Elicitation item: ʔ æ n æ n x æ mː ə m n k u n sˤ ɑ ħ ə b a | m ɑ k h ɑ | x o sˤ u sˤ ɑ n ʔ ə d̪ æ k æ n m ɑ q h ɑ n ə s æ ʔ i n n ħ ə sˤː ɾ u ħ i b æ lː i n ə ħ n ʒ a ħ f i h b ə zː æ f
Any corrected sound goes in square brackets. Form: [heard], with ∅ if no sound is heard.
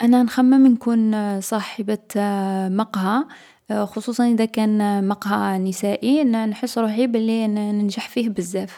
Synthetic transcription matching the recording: ʔ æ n æ n x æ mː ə m n k u n sˤ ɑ ħ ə b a | m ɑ [q] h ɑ | x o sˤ u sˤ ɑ n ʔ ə d̪ æ k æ n m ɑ q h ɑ n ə s æ ʔ i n n ħ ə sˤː ɾ u ħ i b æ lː i n ə [∅] n ʒ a ħ f i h b ə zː æ f